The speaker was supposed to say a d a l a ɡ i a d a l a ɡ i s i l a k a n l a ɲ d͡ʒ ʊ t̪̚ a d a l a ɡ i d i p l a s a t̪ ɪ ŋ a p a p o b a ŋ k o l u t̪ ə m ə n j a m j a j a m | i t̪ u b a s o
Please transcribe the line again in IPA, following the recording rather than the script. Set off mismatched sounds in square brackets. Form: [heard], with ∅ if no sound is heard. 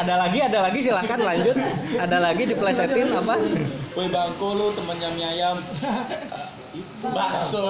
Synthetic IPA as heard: a d a l a ɡ i a d a l a ɡ i s i l a k a n l a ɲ d͡ʒ ʊ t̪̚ a d a l a ɡ i d i p l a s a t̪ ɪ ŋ a p a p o b a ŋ k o l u t̪ ə m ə n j a m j a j a m | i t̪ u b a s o